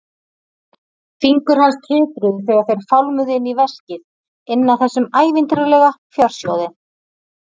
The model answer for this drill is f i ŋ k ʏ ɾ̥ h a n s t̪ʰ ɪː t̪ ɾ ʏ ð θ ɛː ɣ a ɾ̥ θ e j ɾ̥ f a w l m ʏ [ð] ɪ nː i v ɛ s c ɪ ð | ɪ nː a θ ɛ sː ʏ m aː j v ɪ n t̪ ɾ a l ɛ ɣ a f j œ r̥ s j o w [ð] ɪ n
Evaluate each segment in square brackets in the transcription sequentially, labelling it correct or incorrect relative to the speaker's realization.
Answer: correct, correct

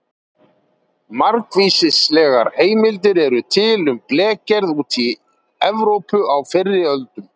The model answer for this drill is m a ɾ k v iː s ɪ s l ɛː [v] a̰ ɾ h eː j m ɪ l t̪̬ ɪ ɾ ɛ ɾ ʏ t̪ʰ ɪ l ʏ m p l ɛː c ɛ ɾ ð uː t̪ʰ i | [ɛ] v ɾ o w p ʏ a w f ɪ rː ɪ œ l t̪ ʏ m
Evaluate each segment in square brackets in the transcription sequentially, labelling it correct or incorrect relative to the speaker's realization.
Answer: incorrect: ɣ, correct

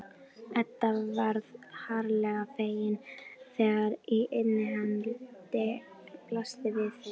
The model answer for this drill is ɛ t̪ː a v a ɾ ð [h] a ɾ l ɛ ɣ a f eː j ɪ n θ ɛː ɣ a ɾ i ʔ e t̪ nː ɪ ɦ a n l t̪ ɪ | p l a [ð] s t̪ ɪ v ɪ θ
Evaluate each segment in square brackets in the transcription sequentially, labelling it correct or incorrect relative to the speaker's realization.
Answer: correct, incorrect: none

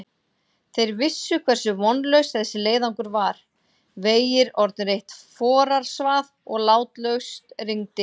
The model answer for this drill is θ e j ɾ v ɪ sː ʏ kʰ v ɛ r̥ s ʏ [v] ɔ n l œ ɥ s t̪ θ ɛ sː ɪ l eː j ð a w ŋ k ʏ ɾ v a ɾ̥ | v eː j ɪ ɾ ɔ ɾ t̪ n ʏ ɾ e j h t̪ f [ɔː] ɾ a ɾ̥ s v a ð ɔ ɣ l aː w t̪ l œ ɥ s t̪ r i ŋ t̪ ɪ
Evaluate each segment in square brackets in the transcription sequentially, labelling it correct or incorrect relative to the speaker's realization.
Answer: correct, correct

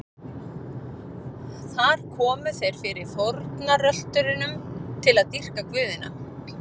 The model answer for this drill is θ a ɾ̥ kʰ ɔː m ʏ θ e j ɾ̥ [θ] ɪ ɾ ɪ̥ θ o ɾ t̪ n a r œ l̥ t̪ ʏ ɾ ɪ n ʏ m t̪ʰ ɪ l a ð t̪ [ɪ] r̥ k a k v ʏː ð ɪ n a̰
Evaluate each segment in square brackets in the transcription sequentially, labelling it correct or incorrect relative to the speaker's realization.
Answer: incorrect: f, incorrect: i

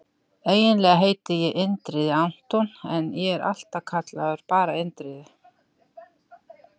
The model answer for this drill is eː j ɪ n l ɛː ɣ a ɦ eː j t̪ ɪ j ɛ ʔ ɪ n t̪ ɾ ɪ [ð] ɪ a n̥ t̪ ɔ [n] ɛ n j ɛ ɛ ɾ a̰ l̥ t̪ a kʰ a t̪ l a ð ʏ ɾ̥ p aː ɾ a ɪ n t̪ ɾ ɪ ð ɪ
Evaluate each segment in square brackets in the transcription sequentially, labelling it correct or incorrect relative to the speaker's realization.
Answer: correct, correct

